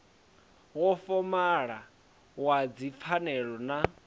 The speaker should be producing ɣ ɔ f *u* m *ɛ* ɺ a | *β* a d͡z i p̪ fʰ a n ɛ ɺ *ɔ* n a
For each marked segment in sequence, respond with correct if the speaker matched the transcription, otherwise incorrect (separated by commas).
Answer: incorrect, incorrect, incorrect, correct